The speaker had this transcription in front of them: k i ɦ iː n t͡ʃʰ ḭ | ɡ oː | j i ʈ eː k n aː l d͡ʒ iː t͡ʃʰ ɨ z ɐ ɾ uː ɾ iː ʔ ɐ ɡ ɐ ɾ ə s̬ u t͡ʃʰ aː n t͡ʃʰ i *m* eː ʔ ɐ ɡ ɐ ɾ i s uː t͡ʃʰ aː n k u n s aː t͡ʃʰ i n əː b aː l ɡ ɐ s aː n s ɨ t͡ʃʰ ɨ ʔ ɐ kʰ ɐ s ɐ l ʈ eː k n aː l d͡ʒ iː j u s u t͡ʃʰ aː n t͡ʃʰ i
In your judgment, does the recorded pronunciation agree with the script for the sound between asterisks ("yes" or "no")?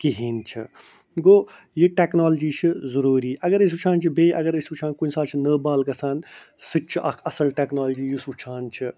no